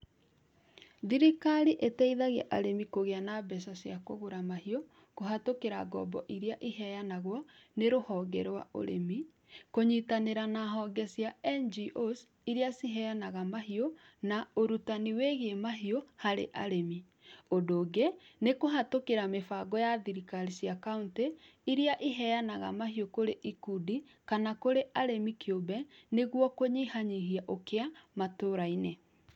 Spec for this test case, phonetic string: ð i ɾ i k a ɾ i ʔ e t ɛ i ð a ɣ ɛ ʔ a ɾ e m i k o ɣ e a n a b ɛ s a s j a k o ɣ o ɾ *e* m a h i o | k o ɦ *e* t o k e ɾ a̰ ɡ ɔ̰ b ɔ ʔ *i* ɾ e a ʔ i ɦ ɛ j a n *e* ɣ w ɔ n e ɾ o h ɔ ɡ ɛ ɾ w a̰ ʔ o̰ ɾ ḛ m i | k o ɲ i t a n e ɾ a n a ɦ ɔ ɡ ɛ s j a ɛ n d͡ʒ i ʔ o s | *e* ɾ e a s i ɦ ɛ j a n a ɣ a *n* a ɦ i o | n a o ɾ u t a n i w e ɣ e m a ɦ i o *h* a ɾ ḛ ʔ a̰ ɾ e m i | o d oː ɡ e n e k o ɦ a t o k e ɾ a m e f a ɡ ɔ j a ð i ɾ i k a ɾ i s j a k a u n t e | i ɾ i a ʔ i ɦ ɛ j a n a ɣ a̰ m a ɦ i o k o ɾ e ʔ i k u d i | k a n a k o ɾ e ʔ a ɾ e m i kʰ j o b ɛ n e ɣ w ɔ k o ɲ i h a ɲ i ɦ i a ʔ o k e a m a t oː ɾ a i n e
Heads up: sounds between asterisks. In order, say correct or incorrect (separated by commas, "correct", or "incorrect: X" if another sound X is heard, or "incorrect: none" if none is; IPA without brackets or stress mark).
incorrect: a, incorrect: a, correct, incorrect: a, incorrect: i, incorrect: m, correct